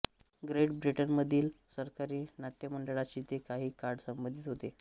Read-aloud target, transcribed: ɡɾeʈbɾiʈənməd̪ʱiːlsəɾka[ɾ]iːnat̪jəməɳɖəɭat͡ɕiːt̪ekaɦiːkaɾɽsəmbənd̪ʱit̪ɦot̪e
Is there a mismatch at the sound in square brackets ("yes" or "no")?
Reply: no